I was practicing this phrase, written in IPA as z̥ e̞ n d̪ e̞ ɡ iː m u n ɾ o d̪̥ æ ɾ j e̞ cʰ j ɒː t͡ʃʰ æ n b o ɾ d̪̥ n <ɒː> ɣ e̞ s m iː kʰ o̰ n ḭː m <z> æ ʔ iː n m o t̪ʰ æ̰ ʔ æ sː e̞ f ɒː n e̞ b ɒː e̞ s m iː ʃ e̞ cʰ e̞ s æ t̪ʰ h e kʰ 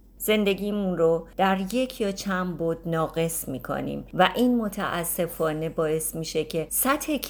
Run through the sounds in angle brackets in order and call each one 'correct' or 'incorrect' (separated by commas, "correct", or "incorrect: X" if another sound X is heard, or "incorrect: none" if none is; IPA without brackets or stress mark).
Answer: correct, incorrect: v